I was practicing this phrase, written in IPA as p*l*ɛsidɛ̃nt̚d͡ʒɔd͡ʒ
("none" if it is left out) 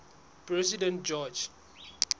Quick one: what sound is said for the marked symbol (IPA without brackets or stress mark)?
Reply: ɹ